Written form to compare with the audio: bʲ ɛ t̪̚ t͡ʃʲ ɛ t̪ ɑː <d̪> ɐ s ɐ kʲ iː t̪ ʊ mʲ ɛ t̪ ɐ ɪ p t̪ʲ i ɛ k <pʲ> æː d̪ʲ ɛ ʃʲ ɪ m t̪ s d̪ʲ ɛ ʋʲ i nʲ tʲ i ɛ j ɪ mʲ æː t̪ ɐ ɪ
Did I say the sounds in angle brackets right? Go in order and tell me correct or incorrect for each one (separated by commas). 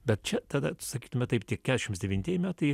correct, incorrect